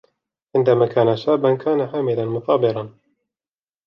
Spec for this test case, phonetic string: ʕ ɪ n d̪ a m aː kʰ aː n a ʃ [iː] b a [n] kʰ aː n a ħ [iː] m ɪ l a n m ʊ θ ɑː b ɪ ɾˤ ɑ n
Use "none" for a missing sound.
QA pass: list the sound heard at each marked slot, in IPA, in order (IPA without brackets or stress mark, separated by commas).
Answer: aː, n, aː